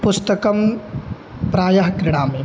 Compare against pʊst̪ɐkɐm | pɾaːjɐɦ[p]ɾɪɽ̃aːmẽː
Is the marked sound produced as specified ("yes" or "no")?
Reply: no